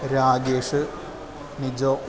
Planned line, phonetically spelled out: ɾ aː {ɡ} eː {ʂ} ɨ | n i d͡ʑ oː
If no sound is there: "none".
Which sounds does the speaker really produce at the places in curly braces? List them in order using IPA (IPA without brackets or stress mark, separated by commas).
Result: ɡ, ʂ